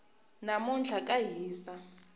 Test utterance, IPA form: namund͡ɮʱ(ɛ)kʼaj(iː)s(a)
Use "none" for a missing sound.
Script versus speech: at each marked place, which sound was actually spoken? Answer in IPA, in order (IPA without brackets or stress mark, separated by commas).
a, iː, a